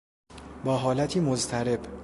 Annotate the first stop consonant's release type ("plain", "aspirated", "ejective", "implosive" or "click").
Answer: plain